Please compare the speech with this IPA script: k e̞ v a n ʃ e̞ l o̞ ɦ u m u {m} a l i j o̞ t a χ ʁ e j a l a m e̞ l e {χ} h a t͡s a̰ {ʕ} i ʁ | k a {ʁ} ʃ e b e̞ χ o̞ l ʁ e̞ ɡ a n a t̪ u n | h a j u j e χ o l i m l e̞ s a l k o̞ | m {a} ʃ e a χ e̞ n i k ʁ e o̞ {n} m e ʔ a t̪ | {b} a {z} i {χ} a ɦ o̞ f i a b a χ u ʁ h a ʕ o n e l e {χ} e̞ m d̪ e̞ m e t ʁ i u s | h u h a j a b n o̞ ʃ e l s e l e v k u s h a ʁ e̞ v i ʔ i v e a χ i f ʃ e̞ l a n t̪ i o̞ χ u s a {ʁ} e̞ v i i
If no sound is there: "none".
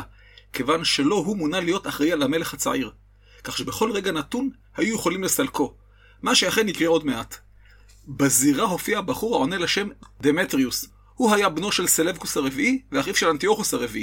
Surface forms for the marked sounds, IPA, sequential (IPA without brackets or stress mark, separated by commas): n, χ, ʕ, χ, a, d, b, z, ʁ, ʃ, ʁ